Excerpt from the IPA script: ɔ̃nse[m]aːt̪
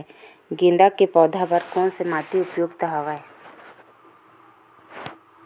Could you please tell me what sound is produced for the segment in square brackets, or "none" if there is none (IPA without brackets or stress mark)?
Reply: m